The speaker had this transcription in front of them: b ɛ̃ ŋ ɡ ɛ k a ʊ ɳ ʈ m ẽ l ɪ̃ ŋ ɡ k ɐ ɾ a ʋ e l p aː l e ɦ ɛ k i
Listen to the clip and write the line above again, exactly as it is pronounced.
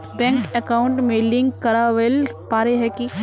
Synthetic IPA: b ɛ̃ ŋ k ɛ k a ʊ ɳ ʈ m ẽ l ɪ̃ ŋ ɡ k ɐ ɾ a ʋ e l p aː ɾ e ɦ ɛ k i